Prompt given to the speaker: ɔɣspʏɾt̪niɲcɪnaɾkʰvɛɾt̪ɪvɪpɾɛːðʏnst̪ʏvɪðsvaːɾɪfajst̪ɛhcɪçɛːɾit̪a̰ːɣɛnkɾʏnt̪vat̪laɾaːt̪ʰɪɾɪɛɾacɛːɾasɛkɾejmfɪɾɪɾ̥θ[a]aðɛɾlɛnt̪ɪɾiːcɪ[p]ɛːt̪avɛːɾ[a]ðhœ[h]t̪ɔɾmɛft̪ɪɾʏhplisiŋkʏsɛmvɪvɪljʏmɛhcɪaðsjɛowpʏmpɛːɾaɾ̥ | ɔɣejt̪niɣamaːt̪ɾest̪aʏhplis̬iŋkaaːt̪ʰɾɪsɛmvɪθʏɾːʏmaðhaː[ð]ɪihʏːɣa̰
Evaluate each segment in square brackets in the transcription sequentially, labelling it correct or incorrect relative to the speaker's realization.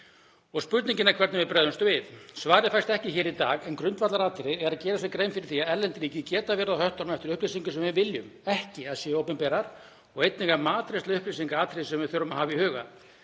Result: incorrect, incorrect, correct, correct, incorrect

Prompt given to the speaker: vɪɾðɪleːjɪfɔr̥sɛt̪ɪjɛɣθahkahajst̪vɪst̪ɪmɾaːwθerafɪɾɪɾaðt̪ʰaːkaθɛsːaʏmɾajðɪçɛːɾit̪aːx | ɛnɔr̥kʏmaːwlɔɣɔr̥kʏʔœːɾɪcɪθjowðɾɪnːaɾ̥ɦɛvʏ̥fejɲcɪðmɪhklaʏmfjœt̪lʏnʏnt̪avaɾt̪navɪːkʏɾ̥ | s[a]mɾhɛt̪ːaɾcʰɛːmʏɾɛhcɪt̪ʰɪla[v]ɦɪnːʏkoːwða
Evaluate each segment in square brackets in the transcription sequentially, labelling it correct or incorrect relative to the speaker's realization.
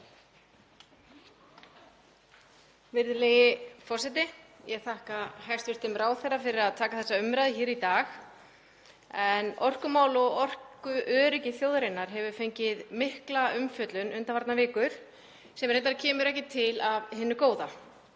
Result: incorrect, correct

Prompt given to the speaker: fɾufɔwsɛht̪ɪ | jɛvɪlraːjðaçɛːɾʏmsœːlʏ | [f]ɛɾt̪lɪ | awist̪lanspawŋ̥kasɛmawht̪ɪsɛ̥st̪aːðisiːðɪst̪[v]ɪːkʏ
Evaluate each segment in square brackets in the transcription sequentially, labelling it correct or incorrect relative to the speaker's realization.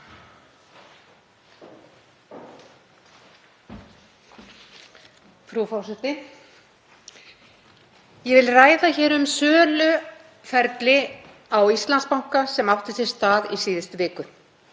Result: correct, correct

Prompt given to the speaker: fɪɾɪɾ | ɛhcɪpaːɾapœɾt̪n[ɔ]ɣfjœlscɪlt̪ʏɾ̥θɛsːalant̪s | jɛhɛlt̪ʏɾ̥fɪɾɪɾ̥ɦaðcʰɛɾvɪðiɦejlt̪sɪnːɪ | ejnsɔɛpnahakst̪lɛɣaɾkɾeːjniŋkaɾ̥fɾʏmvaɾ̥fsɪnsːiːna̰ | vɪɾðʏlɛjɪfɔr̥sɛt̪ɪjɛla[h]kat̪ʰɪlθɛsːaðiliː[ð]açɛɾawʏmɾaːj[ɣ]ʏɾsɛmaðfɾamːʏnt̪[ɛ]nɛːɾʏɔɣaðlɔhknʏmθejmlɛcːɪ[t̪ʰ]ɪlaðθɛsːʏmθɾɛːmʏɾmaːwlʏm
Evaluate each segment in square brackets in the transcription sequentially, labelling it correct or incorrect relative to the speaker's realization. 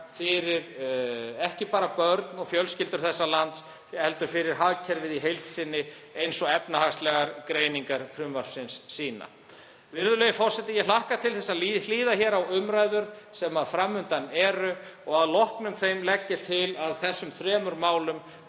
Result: correct, correct, correct, incorrect, incorrect, correct

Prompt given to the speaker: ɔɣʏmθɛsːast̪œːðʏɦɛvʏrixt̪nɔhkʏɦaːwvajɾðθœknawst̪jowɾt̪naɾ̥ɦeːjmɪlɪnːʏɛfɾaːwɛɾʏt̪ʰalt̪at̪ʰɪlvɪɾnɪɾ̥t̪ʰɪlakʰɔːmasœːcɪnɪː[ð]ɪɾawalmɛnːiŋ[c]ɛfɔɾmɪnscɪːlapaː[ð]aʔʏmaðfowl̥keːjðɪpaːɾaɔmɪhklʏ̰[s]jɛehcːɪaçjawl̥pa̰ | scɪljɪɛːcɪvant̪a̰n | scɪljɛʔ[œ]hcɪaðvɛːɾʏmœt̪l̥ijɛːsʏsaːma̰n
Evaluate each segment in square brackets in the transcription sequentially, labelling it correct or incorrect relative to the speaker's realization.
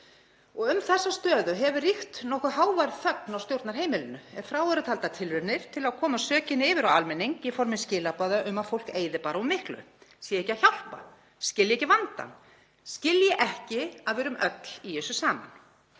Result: incorrect, incorrect, correct, correct, incorrect

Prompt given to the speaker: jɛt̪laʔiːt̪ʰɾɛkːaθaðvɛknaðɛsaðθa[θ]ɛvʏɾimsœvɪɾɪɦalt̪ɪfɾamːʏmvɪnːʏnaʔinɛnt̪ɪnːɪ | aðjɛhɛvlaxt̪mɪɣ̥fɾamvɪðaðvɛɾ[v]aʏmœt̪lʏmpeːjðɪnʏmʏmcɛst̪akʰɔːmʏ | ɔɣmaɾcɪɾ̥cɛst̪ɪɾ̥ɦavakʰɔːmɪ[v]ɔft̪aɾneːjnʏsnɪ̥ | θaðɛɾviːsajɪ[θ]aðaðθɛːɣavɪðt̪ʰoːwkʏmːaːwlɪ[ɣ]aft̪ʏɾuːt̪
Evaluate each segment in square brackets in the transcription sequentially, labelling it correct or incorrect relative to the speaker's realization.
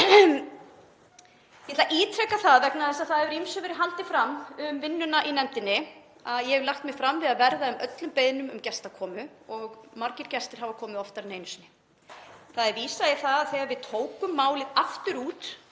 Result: incorrect, incorrect, incorrect, correct, incorrect

